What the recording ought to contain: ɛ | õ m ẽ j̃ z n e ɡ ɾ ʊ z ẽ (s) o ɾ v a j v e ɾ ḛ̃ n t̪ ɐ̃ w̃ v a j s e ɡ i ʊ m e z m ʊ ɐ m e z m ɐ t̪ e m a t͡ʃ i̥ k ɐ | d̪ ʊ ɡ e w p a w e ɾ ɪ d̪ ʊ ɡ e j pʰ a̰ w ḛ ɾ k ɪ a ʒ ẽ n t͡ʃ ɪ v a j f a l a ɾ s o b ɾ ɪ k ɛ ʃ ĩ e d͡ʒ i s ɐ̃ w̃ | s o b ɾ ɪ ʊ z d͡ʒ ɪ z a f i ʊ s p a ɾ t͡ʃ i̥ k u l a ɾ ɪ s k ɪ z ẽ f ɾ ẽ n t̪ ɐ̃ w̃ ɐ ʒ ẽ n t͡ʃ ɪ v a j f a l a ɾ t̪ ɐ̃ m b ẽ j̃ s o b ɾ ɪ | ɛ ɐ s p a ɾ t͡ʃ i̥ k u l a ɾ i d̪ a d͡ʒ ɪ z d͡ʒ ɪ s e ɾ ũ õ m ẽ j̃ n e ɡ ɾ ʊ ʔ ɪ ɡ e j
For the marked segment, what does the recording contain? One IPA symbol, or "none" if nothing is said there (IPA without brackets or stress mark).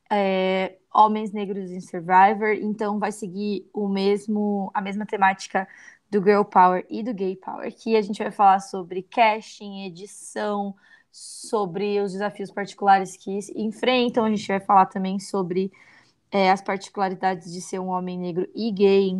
s